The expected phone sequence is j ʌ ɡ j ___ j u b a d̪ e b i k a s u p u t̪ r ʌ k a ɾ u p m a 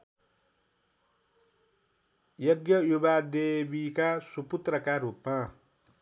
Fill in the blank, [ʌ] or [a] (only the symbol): ʌ